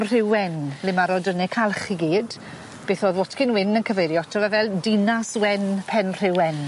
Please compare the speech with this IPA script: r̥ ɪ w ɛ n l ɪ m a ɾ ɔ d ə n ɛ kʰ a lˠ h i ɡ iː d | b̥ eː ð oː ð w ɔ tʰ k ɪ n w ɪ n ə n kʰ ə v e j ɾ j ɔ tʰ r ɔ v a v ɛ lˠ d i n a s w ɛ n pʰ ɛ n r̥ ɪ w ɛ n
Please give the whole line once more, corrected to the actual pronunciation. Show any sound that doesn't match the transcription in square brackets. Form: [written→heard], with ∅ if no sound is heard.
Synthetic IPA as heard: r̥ ɪ w ɛ n l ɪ m a ɾ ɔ d ə n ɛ kʰ a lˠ [h→χ] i ɡ iː d | b̥ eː [ð→θ] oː ð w ɔ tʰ k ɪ n w ɪ n ə n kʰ ə v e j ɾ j ɔ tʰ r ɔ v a v ɛ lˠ d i n a s w ɛ n pʰ ɛ n r̥ ɪ w ɛ n